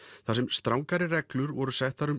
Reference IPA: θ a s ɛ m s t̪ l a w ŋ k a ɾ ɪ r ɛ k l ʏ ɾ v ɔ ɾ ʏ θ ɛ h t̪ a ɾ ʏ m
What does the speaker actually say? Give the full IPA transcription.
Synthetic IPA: θ a s ɛ m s t̪ ɾ a w ŋ k a ɾ ɪ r ɛ k l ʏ ɾ v ɔ ɾ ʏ s ɛ h t̪ a ɾ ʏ m